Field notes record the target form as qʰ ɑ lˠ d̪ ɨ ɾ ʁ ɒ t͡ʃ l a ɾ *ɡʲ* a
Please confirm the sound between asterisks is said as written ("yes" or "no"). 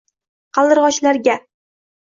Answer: yes